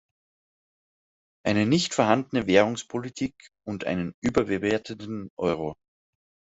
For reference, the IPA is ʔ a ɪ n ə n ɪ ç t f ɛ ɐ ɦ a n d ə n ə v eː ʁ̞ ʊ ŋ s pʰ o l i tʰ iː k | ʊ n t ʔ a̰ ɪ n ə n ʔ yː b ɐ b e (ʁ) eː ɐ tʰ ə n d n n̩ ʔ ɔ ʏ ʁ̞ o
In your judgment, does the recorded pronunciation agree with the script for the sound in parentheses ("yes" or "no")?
no